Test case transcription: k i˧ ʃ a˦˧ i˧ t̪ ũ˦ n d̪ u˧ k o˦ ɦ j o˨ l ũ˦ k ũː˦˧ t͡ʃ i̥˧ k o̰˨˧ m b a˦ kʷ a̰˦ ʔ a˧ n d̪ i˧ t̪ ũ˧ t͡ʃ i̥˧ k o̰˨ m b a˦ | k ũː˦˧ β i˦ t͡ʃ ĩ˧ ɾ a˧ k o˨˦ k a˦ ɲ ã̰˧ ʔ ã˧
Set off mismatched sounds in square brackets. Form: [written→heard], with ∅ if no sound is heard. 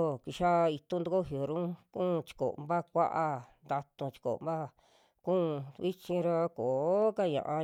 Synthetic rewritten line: k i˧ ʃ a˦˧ i˧ t̪ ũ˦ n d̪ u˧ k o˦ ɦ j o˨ [l→ɾ] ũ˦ k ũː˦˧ t͡ʃ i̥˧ k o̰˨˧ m b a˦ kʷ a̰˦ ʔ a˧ n d̪ [i˧→a˧] t̪ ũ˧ t͡ʃ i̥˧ k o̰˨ m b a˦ | k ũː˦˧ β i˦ t͡ʃ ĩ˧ ɾ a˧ k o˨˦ k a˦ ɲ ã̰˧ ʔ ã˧